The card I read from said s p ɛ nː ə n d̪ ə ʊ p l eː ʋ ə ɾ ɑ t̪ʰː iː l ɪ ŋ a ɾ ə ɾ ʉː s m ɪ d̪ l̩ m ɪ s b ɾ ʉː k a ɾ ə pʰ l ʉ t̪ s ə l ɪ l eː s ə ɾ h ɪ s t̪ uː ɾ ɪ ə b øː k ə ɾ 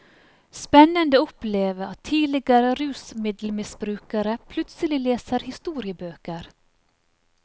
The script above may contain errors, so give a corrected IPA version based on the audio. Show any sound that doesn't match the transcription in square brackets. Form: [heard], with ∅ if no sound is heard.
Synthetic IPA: s p ɛ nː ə n d̪ ə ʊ p l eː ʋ ə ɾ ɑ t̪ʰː iː l ɪ [ɡ] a ɾ ə ɾ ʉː s m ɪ d̪ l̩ m ɪ s b ɾ ʉː k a ɾ ə pʰ l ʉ t̪ s ə l ɪ l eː s ə ɾ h ɪ s t̪ uː ɾ ɪ ə b øː k ə ɾ